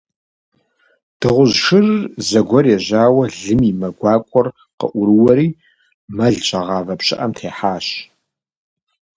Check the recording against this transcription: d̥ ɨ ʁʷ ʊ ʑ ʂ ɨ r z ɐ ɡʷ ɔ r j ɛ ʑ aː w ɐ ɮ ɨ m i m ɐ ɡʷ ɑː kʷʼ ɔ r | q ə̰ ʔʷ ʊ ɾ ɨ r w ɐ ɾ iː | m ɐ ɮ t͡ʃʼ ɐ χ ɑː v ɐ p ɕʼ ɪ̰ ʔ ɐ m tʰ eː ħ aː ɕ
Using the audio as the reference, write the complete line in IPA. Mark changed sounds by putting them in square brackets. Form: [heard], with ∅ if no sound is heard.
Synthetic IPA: d̥ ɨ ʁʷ ʊ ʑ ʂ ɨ r z ɐ ɡʷ ɔ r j ɛ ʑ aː w ɐ ɮ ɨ m i m ɐ ɡʷ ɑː kʷʼ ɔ r | q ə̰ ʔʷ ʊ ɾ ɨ [∅] w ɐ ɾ iː | m ɐ ɮ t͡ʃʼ ɐ [ʁ] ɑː v ɐ p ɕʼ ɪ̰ ʔ ɐ m tʰ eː ħ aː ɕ